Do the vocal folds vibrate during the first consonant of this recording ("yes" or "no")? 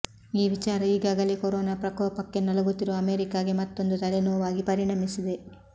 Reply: yes